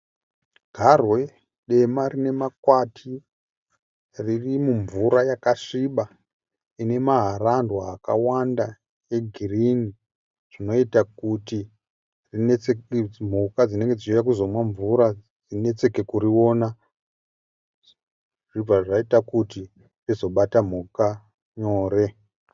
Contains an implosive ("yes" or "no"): yes